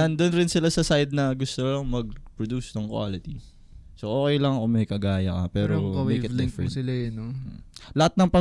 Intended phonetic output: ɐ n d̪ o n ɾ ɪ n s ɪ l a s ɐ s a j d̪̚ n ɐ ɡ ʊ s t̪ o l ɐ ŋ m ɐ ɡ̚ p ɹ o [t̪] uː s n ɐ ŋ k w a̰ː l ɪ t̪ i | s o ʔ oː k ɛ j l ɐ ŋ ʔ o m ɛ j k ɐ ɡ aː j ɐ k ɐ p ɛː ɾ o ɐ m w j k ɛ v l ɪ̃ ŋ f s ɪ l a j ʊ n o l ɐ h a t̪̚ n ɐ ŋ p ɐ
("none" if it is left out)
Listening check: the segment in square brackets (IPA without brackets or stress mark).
d̪